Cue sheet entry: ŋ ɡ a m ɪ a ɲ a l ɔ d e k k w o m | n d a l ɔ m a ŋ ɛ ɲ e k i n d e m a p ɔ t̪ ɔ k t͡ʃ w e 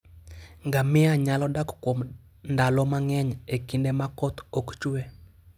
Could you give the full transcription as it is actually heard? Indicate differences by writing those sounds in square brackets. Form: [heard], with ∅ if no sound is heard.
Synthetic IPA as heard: ŋ ɡ a m ɪ a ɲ a l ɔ d [a] k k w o m | n d a l ɔ m a ŋ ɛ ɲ e k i n d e m a [k] ɔ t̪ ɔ k t͡ʃ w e